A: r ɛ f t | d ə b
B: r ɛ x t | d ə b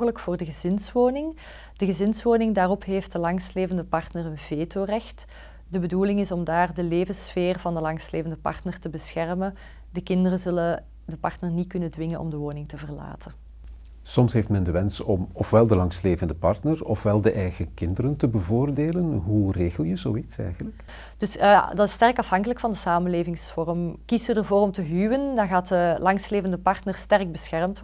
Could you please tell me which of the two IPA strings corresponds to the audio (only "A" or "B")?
B